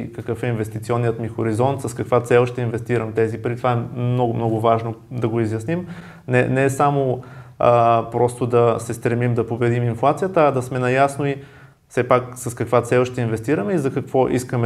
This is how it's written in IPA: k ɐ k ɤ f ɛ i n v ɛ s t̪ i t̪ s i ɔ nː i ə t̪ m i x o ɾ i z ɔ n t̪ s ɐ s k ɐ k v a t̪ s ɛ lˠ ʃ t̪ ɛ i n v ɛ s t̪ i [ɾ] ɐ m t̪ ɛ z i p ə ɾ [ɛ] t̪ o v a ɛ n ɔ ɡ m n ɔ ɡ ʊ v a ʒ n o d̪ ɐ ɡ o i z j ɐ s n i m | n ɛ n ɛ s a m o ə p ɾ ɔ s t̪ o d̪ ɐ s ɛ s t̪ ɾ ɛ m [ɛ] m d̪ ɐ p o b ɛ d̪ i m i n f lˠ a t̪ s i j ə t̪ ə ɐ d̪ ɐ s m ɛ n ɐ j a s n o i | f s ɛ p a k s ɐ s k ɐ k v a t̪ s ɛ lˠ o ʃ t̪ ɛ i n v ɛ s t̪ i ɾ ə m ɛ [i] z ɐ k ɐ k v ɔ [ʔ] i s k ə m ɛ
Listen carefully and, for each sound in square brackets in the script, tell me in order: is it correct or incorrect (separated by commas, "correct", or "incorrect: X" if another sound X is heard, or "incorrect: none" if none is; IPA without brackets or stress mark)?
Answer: correct, incorrect: i, incorrect: i, correct, correct